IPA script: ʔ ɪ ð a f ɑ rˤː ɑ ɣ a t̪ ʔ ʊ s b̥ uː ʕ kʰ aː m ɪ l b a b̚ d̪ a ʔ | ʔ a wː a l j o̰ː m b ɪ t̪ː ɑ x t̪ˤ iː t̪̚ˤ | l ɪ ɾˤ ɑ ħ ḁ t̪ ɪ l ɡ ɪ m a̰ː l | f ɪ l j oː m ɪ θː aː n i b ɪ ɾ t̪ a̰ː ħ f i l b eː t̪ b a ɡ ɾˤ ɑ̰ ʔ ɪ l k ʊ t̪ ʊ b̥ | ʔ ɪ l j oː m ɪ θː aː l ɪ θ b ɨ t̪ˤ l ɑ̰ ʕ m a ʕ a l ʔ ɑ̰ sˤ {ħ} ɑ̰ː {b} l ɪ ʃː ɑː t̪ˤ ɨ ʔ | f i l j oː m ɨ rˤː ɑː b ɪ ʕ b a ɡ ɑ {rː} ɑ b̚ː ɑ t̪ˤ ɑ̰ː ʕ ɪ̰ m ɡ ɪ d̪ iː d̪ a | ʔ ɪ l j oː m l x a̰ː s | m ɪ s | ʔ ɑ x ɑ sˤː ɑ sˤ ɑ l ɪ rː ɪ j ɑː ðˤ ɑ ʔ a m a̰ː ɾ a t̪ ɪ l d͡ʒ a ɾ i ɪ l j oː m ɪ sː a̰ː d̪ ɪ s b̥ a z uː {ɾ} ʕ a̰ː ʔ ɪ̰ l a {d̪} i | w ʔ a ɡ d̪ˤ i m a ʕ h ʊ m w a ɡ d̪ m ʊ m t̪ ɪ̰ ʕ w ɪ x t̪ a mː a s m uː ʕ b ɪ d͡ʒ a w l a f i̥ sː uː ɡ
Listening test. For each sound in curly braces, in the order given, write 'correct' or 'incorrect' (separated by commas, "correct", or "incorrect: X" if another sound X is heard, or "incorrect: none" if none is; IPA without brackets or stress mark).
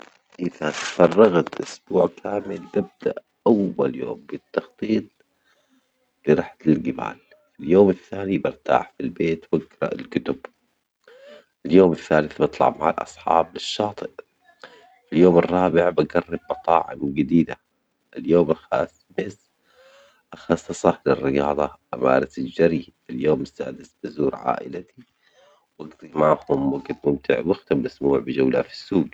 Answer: correct, correct, correct, correct, incorrect: t̪